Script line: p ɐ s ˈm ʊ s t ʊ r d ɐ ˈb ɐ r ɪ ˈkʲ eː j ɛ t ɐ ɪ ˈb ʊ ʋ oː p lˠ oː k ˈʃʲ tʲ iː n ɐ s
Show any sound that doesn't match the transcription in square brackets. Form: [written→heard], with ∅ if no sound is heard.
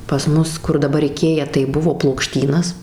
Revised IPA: p ɐ s ˈm ʊ s [t→k] ʊ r d ɐ ˈb ɐ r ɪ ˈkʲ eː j ɛ t ɐ ɪ ˈb ʊ ʋ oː p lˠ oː k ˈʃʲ tʲ iː n ɐ s